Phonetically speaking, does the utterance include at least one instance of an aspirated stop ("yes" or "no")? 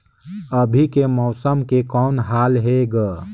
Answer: no